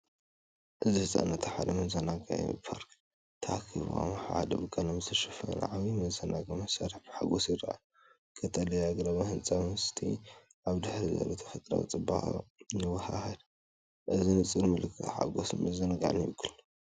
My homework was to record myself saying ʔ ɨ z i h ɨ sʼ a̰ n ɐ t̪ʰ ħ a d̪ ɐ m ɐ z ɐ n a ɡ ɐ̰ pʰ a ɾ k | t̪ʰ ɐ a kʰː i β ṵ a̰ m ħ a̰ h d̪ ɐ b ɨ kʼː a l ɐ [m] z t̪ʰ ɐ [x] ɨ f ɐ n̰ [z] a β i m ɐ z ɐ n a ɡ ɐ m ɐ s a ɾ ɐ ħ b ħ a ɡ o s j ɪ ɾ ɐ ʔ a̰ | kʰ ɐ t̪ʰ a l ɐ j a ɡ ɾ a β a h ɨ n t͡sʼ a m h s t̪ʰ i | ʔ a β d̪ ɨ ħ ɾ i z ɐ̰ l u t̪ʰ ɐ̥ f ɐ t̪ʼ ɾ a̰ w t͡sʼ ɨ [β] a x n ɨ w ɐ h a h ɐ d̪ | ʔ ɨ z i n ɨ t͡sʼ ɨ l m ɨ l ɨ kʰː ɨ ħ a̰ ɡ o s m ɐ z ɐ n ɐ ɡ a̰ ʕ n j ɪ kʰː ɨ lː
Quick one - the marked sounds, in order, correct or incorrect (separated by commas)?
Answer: correct, incorrect, incorrect, incorrect